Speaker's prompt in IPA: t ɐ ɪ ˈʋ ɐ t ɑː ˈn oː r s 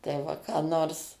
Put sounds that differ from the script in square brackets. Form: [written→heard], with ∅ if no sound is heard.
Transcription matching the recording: t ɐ ɪ ˈʋ ɐ [t→k] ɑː ˈn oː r s